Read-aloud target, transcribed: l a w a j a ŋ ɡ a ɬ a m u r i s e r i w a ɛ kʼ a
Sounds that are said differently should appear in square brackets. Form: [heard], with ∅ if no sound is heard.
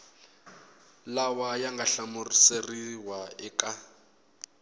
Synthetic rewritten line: l a w a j a ŋ ɡ a ɬ a m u r i s e r i w a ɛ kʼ a